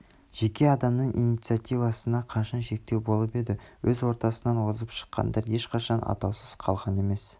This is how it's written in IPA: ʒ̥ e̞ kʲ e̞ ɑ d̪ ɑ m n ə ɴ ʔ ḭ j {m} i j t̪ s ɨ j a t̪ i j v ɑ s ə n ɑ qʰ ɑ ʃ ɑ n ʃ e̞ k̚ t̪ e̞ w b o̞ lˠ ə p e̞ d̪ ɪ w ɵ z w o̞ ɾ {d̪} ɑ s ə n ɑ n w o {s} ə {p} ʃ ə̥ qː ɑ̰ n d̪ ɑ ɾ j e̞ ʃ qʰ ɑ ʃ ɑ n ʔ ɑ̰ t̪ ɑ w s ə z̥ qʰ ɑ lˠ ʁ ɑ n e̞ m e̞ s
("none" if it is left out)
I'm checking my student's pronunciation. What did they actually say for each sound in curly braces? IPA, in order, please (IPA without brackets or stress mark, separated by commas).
n, t̪, z, p